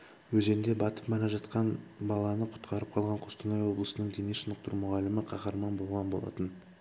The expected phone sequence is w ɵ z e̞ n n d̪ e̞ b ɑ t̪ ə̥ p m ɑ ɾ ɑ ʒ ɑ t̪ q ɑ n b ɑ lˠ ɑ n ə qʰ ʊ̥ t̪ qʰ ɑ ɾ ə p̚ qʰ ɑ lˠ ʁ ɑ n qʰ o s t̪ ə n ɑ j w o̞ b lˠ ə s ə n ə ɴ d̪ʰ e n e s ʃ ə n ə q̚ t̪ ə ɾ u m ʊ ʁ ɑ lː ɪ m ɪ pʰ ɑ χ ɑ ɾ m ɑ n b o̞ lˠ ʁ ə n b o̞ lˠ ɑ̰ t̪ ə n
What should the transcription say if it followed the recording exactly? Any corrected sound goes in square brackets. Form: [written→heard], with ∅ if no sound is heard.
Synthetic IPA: w ɵ z e̞ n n d̪ e̞ b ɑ t̪ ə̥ p m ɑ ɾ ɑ ʒ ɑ t̪ q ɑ n b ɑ lˠ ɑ n ə qʰ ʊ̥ t̪ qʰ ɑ ɾ ə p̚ qʰ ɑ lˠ ʁ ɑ [n→ɴ] qʰ o s t̪ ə n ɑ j w o̞ b lˠ ə s ə n ə ɴ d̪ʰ e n e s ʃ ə n ə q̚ t̪ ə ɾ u m ʊ ʁ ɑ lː ɪ m ɪ [pʰ→qʰ] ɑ χ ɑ ɾ m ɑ n b o̞ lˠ ʁ [ə→ɑ] n b o̞ lˠ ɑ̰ t̪ ə n